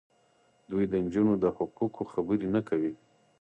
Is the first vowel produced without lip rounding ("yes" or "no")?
no